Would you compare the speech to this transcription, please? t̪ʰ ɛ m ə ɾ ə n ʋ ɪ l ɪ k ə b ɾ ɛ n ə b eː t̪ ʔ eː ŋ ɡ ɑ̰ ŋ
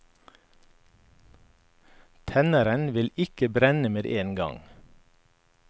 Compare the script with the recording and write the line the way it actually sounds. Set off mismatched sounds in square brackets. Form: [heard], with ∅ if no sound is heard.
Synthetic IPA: t̪ʰ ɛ [n] ə ɾ ə n ʋ ɪ l ɪ k ə b ɾ ɛ n ə [m] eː [d̪] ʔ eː [n] ɡ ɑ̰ ŋ